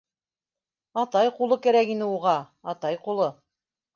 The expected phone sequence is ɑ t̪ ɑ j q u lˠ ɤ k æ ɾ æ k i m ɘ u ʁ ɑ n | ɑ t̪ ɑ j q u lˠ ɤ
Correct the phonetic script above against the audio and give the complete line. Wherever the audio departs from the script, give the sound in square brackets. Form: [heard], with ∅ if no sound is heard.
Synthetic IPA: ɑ t̪ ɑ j q u lˠ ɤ k æ ɾ æ k i [n] ɘ u ʁ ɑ [∅] | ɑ t̪ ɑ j q u lˠ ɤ